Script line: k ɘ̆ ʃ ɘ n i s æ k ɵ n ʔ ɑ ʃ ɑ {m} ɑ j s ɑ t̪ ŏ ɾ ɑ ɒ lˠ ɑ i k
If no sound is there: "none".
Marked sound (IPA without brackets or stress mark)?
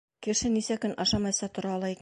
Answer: m